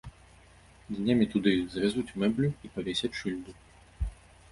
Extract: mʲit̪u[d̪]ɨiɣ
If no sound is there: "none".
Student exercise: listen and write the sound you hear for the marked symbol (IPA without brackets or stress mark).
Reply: d̪